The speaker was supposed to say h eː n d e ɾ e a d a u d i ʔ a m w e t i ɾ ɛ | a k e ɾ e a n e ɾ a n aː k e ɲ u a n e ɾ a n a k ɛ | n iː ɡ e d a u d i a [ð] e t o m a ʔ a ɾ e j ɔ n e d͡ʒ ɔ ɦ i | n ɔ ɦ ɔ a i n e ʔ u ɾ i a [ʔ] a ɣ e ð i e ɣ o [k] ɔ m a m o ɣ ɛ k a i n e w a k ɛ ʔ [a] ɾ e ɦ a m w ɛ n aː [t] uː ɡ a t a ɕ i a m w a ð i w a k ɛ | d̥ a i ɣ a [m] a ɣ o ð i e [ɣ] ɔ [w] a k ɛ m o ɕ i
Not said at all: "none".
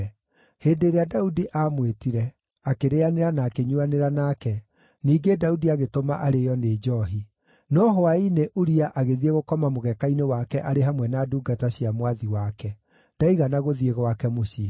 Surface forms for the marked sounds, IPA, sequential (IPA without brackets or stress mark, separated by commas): ɣ, ʔ, k, a, d, n, ɣ, w